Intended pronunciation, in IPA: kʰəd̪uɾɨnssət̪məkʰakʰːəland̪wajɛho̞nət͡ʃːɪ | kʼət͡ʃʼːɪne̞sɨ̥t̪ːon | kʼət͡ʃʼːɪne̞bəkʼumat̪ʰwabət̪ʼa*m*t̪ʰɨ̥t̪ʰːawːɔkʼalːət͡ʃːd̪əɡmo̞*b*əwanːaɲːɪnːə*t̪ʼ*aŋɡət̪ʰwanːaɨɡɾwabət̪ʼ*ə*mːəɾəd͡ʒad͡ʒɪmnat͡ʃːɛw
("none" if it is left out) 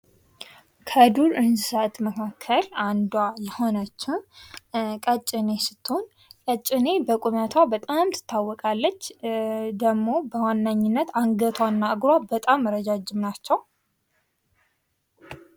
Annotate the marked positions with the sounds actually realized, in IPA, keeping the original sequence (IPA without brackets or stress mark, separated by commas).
m, b, t̪, a